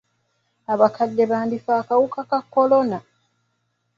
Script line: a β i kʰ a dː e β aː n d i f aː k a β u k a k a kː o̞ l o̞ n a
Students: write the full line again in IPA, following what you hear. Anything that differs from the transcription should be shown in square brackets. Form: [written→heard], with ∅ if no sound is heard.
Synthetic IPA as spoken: a β [i→a] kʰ a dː e β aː n d i f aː k a [β→w] u k a k a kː o̞ l o̞ n a